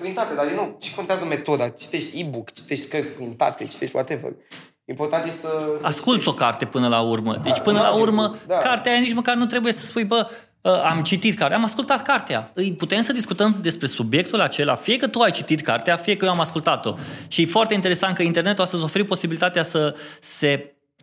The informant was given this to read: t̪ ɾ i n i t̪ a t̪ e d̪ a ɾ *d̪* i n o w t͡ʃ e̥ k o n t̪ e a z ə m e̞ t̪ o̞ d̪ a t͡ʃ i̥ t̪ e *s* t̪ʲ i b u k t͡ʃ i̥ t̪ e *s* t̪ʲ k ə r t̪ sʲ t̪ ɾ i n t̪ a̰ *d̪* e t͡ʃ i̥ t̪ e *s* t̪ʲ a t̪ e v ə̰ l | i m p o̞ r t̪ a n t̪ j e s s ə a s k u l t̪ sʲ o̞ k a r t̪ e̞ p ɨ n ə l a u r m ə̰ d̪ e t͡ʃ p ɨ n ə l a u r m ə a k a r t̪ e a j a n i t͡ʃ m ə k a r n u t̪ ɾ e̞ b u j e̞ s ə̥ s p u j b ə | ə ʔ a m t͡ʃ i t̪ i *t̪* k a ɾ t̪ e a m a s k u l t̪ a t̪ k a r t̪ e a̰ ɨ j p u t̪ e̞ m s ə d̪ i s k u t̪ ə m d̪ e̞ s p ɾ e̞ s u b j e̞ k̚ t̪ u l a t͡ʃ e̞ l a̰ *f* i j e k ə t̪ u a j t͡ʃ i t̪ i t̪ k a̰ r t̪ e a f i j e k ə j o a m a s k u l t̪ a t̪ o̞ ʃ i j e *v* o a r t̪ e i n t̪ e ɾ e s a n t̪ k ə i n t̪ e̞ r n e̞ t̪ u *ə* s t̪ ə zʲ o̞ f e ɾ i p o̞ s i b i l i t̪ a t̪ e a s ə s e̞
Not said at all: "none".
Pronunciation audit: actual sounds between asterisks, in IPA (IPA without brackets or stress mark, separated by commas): d̪, ʃ, ʃ, t̪, ʃ, t̪, f, f, a